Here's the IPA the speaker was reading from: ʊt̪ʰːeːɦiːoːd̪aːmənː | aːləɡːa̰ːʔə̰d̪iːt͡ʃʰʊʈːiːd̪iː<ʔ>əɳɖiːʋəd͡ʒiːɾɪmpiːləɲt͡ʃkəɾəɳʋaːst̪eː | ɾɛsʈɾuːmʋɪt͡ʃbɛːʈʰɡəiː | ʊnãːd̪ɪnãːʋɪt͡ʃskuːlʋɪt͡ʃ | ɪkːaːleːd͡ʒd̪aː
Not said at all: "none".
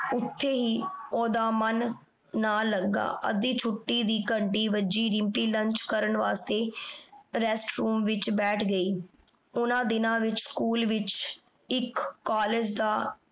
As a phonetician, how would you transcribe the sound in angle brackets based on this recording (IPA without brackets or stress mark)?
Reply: k